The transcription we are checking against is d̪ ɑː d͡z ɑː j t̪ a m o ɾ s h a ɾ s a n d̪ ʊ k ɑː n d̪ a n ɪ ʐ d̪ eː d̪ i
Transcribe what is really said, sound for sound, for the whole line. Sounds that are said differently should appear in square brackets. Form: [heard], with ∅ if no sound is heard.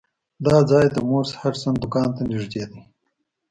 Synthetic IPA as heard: d̪ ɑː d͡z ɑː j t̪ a m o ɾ s h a ɾ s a n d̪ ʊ k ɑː n [t̪] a n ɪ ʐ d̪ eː d̪ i